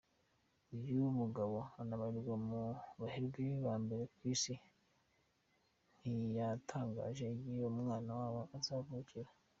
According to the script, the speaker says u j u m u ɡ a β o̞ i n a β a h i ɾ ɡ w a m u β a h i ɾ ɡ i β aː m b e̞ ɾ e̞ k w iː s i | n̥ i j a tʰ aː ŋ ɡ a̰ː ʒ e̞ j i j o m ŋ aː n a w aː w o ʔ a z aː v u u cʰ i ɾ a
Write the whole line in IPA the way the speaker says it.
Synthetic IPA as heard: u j u m u ɡ a β o̞ a n a β a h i ɾ ɡ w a m u β a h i ɾ ɡ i β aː m b e̞ ɾ e̞ k w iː s i | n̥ i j a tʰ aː ŋ ɡ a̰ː ʒ e̞ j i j o m ŋ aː n a w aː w o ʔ a z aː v u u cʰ i ɾ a